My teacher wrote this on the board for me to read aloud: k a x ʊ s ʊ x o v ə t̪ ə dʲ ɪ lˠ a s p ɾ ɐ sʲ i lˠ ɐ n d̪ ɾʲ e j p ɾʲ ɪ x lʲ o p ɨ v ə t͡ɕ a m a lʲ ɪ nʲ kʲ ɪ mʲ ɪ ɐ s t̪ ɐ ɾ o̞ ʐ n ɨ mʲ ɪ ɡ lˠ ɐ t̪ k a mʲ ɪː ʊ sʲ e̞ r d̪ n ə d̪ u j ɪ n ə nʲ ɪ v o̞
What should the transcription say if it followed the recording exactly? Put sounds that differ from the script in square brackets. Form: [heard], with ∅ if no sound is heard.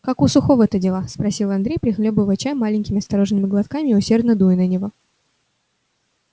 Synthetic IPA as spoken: k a [k] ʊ s ʊ x o v ə t̪ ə dʲ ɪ lˠ a s p ɾ ɐ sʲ i lˠ ɐ n d̪ ɾʲ e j p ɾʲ ɪ x lʲ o [b] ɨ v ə t͡ɕ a m a lʲ ɪ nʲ kʲ ɪ mʲ ɪ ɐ s t̪ ɐ ɾ o̞ ʐ n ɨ mʲ ɪ ɡ lˠ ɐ t̪ k a mʲ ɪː ʊ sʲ e̞ r d̪ n ə d̪ u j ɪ n ə nʲ ɪ v o̞